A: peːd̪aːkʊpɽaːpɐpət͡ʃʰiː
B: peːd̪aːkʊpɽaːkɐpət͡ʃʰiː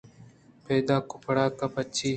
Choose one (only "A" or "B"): B